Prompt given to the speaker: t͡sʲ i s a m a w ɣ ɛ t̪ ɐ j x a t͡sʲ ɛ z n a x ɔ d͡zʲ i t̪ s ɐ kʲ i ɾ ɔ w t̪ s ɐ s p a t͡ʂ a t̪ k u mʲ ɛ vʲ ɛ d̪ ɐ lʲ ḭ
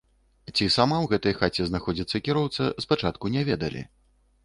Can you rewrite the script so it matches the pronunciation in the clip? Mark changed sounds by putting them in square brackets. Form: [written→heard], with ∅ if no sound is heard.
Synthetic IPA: t͡sʲ i s a m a w ɣ ɛ t̪ ɐ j x a t͡sʲ ɛ z n a x ɔ d͡zʲ i t̪ [s→sː] ɐ kʲ i ɾ ɔ w t̪ s ɐ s p a t͡ʂ a t̪ k u [mʲ→nʲ] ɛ vʲ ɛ d̪ ɐ lʲ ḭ